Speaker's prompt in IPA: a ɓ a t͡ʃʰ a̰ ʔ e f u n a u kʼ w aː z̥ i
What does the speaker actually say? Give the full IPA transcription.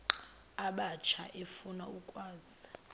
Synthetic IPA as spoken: a ɓ a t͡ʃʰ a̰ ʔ e f u n a u kʼ w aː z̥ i